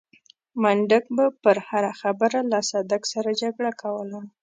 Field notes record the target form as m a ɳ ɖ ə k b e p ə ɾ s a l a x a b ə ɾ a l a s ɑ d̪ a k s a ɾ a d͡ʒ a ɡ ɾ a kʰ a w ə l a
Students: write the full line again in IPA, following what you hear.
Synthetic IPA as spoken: m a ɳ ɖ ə k b a p ə ɾ h a ɾ a x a b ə ɾ a l a s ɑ d̪ a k s a ɾ a d͡ʒ a ɡ ɽ a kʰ a w ə l a